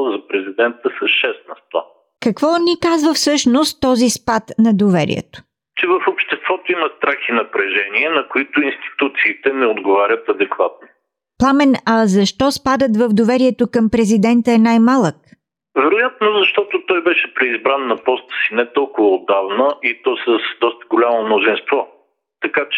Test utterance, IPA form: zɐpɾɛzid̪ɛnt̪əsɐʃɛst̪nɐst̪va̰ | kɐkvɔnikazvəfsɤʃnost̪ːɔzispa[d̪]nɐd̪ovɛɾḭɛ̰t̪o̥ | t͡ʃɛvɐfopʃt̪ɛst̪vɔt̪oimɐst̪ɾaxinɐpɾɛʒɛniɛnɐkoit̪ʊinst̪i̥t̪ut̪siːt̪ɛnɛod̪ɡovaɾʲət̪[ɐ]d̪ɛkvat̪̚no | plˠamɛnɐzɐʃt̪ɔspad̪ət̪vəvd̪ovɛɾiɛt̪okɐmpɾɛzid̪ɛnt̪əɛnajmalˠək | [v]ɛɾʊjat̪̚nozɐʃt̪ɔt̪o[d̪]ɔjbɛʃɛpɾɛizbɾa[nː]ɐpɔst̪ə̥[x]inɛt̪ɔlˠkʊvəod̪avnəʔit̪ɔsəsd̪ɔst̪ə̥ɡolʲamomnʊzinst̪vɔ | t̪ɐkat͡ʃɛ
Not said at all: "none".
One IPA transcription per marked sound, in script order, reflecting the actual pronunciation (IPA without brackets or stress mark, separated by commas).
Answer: t̪, ɐ, v, t̪, nː, s